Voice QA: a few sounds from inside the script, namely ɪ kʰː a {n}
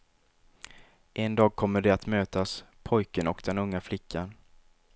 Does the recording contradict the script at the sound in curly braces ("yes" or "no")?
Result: no